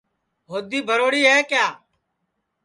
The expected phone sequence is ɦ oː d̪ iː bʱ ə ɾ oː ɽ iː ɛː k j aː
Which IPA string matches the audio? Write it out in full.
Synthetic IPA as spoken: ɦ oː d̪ iː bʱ ə ɾ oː ɽ iː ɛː k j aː